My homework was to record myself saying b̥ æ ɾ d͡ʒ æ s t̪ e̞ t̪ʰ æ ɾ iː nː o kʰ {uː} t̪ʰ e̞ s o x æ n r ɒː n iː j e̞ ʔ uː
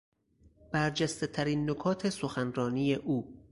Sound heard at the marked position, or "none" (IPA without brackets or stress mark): ɒː